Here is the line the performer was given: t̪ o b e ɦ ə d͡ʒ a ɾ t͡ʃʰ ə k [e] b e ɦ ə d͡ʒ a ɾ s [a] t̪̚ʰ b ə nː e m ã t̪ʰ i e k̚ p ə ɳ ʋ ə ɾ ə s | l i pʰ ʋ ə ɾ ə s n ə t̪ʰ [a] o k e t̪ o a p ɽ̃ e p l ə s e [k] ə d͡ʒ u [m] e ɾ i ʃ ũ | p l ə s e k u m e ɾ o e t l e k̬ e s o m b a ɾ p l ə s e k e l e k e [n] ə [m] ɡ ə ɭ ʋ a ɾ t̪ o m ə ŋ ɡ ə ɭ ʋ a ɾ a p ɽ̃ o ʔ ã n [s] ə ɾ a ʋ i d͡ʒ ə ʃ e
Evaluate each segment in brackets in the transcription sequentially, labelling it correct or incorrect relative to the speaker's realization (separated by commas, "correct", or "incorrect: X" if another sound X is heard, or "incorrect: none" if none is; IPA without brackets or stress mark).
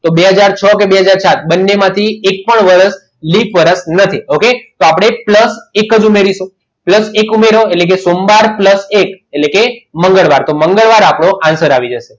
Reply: correct, correct, incorrect: i, correct, correct, incorrect: m, incorrect: ŋ, correct